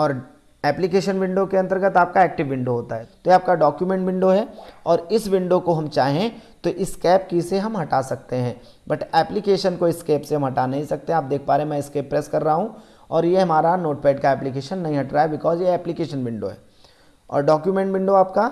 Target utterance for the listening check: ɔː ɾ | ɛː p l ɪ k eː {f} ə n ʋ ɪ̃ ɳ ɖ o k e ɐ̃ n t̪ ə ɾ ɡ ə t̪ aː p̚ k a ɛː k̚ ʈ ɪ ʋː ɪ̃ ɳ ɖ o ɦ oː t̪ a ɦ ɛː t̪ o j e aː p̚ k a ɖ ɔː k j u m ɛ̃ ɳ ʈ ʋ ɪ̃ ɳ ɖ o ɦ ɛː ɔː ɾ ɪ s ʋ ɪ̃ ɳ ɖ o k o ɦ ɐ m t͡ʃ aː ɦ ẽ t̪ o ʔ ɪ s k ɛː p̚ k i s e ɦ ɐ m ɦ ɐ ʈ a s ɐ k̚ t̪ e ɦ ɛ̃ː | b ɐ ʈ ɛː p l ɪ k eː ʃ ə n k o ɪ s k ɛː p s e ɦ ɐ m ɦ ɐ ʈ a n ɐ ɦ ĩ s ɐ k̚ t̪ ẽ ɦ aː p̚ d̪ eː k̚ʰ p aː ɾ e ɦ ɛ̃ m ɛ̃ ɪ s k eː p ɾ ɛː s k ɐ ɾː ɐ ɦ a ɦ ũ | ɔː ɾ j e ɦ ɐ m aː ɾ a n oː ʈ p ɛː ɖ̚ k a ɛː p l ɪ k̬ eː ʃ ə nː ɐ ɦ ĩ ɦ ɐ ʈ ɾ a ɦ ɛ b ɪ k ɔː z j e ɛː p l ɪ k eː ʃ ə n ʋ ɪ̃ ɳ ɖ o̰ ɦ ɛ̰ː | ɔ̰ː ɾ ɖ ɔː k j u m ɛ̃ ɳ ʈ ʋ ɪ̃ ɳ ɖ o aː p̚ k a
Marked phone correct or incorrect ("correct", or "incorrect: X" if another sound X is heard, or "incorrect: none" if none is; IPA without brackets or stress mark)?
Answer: incorrect: ʃ